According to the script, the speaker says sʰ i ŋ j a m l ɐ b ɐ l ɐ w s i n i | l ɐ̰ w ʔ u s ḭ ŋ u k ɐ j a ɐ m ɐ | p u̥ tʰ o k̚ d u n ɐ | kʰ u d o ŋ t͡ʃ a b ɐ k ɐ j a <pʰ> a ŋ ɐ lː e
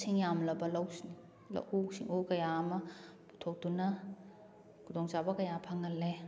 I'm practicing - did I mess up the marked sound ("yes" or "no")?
no